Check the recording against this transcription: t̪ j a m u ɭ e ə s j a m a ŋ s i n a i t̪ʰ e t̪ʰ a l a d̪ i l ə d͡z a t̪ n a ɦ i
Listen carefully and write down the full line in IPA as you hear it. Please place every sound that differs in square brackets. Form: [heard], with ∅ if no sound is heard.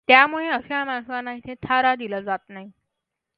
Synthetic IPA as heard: t̪ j a m u ɭ e ə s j a m a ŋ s [a] n a i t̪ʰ e t̪ʰ a [ɾ] a d̪ i l ə d͡z a t̪ n a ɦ i